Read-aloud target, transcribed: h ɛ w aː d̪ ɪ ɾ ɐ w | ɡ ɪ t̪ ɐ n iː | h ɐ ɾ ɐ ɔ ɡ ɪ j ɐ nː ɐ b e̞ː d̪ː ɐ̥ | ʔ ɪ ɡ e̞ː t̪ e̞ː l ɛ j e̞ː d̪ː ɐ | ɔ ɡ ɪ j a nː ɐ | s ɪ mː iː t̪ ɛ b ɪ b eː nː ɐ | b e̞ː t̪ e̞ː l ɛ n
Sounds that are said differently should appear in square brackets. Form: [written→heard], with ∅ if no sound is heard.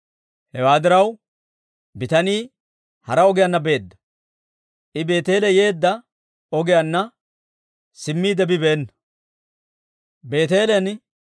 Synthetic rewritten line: h ɛ w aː d̪ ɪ ɾ ɐ w | [ɡ→b] ɪ t̪ ɐ n iː | h ɐ ɾ ɐ ɔ ɡ ɪ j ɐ nː ɐ b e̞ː d̪ː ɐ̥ | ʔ ɪ [ɡ→b] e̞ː t̪ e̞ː l ɛ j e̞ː d̪ː ɐ | ɔ ɡ ɪ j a nː ɐ | s ɪ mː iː [t̪→d̪] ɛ b ɪ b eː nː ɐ | b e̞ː t̪ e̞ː l ɛ n

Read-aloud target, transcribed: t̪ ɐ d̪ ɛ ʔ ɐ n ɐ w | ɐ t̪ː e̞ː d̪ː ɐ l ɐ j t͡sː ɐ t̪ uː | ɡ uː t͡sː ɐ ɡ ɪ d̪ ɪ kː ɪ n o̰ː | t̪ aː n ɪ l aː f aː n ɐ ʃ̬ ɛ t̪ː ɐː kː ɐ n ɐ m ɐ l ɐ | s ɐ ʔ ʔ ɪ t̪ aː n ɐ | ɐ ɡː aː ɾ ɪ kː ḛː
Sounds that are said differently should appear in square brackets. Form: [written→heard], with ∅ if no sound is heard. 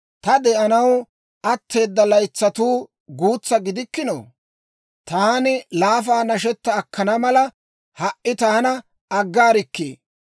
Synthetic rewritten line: t̪ ɐ d̪ ɛ ʔ ɐ n ɐ w | ɐ t̪ː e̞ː d̪ː ɐ l ɐ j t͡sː ɐ t̪ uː | ɡ uː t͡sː ɐ ɡ ɪ d̪ ɪ kː ɪ n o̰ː | t̪ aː n ɪ l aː f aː n ɐ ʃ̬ ɛ t̪ː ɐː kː ɐ n ɐ m ɐ l ɐ | [s→h] ɐ ʔ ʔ ɪ t̪ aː n ɐ | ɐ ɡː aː ɾ ɪ kː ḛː

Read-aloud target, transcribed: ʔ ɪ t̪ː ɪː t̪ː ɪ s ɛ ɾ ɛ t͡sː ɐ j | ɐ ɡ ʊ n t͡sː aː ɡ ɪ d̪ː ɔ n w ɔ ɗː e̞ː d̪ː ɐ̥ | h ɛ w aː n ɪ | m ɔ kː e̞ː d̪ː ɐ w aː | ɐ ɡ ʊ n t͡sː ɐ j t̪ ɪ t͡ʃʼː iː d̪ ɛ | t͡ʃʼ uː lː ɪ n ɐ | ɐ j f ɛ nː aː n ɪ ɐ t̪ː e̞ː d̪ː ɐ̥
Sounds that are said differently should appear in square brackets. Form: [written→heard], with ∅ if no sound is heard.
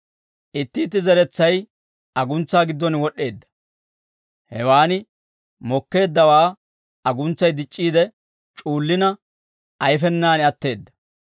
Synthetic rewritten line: ʔ ɪ t̪ː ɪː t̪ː ɪ [s→z] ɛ ɾ ɛ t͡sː ɐ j | ɐ ɡ ʊ n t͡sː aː ɡ ɪ d̪ː ɔ n w ɔ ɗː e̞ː d̪ː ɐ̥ | h ɛ w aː n ɪ | m ɔ kː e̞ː d̪ː ɐ w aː | ɐ ɡ ʊ n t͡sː ɐ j [t̪→d̪] ɪ t͡ʃʼː iː d̪ ɛ | t͡ʃʼ uː lː ɪ n ɐ | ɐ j f ɛ nː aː n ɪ ɐ t̪ː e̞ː d̪ː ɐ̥

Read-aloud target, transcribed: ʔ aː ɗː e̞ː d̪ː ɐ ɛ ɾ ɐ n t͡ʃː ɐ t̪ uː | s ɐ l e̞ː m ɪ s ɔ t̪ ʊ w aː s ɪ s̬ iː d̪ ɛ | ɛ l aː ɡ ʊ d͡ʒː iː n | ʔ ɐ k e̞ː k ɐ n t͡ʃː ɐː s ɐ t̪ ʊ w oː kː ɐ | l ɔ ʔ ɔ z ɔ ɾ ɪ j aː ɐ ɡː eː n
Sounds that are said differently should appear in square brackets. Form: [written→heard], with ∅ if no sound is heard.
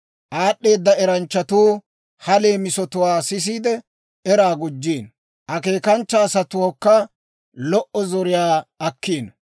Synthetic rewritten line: ʔ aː ɗː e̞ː d̪ː ɐ ɛ ɾ ɐ n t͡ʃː ɐ t̪ uː | [s→h] ɐ l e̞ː m ɪ s ɔ t̪ ʊ w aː s ɪ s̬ iː d̪ ɛ | ɛ [l→ɾ] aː ɡ ʊ d͡ʒː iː n | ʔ ɐ k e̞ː k ɐ n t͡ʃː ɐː s ɐ t̪ ʊ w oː kː ɐ | l ɔ ʔ ɔ z ɔ ɾ ɪ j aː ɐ [ɡː→kː] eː n

